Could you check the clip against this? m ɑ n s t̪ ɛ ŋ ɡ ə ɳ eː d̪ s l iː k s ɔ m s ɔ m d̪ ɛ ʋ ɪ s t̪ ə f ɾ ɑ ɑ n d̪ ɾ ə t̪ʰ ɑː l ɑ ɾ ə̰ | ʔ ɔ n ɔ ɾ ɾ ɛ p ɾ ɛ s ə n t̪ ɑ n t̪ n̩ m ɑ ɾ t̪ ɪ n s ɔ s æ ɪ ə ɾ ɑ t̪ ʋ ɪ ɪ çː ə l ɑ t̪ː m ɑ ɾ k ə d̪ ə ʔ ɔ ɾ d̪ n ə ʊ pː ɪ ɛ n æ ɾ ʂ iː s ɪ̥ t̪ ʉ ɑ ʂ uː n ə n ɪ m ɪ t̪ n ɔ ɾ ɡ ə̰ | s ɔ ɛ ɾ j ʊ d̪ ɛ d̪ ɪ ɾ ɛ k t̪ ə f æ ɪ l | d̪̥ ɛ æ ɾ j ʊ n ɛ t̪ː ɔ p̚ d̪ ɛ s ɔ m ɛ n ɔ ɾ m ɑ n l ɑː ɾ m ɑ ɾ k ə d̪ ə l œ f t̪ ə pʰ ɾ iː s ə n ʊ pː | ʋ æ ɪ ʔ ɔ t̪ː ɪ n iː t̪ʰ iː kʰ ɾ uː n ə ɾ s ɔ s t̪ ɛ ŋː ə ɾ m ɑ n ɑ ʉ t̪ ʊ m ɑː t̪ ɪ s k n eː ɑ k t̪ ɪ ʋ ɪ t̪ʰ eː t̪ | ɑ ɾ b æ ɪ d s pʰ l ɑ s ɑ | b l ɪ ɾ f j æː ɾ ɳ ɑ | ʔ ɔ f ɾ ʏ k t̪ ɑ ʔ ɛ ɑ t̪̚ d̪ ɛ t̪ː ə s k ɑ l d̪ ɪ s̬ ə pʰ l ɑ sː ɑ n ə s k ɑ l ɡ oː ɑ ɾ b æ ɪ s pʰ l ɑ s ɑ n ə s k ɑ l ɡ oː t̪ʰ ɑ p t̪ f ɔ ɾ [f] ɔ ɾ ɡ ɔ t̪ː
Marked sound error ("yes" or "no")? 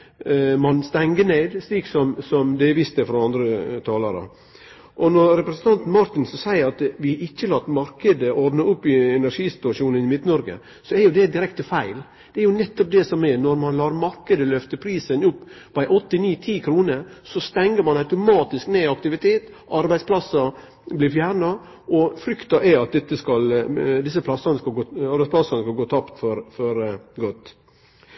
no